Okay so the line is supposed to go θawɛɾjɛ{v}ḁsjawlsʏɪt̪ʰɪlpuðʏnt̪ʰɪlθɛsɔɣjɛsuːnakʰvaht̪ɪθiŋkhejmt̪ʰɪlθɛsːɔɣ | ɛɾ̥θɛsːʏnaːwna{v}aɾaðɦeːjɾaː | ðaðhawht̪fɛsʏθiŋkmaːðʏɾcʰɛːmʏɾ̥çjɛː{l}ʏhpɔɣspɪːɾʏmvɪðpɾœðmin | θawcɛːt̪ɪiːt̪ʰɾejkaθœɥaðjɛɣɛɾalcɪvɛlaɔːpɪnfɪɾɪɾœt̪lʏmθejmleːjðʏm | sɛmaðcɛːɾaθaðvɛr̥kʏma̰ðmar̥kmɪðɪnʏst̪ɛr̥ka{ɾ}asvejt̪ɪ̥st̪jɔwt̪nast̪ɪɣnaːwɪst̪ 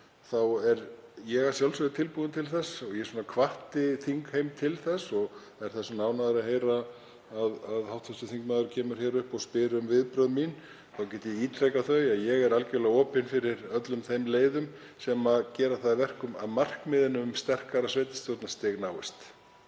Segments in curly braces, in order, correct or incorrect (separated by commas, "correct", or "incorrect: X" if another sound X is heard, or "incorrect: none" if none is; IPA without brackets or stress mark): incorrect: ɣ, incorrect: ð, incorrect: ɾ, correct